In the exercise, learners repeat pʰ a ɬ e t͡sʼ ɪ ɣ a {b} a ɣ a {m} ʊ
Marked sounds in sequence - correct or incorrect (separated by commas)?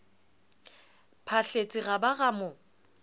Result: correct, correct